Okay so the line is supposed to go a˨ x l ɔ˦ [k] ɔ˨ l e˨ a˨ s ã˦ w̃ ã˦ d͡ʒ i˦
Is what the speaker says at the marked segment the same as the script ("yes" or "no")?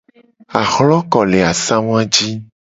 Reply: yes